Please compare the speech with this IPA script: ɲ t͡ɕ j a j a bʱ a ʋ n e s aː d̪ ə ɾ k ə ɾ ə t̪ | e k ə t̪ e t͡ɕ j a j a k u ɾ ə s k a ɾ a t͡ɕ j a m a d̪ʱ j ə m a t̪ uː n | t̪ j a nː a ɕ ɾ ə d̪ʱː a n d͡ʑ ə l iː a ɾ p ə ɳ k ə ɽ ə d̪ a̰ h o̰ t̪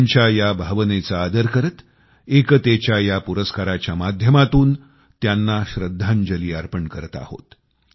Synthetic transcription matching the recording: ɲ t͡ɕ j a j a bʱ a ʋ n e t͡s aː d̪ ə ɾ k ə ɾ ə t̪ | e k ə t̪ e t͡ɕ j a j a p u ɾ ə s k a ɾ a t͡ɕ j a m a d̪ʱ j ə m a t̪ uː n | t̪ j a nː a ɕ ɾ ə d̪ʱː a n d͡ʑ ə l iː a ɾ p ə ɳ k ə ɾ ə t̪ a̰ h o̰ t̪